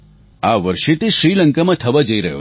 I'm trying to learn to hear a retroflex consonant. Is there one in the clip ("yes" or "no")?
no